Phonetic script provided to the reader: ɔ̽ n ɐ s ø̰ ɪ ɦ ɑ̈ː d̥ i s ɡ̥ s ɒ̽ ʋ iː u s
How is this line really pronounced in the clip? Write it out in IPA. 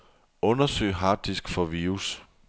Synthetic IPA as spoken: ɔ̽ n ɐ s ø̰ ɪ ɦ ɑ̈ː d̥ i s ɡ̥ f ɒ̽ ʋ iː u s